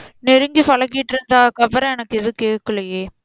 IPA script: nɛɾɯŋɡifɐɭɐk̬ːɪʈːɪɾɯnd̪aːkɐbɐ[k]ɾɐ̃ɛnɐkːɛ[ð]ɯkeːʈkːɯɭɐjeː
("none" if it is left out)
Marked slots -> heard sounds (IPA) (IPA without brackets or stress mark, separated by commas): none, ð